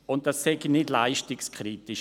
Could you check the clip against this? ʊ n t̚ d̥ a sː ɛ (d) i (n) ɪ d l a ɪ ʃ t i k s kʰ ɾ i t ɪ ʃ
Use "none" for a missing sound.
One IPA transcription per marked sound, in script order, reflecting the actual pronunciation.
ɡ, n

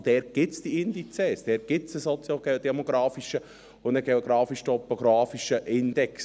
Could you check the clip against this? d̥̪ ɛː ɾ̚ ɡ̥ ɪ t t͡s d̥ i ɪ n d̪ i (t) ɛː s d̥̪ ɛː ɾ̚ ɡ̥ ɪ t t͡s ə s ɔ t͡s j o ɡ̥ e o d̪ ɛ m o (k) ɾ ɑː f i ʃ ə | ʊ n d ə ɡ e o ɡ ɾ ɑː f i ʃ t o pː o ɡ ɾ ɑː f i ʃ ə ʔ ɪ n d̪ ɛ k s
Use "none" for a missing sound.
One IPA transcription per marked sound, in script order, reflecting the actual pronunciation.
t͡s, ɡ

